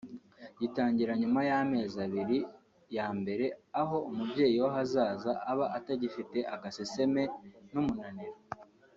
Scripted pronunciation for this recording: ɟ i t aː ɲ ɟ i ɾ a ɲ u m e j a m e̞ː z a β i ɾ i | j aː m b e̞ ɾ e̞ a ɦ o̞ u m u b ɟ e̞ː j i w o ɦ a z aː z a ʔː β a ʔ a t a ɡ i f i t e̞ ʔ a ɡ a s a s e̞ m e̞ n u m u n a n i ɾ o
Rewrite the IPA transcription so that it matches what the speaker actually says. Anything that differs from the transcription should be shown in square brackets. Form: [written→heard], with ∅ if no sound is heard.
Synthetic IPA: ɟ i t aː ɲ ɟ i ɾ a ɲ u m [e→a] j a m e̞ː z a β i ɾ i | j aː m b e̞ ɾ e̞ a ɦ o̞ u m u b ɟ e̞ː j i w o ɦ a z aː z a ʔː β a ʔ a t a [ɡ→ɟ] i f i t e̞ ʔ a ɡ a s [a→e] s e̞ m e̞ n u m u n a n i ɾ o